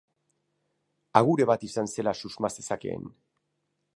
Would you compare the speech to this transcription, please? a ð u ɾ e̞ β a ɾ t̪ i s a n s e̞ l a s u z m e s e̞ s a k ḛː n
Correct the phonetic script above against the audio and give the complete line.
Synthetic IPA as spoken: a ɣ u ɾ e̞ β a t̪ i s a n s e̞ l a s u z m a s e̞ s a k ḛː n